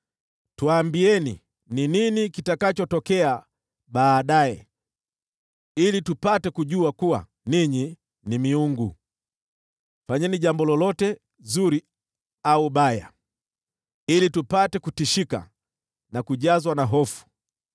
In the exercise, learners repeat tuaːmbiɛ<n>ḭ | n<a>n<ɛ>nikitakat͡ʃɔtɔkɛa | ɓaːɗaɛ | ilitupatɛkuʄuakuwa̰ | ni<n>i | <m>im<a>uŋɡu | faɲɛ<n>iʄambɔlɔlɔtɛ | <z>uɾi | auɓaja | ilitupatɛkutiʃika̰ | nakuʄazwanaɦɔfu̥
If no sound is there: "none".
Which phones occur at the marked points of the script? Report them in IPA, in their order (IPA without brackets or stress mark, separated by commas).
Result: n, i, i, ɲ, n, i, n, z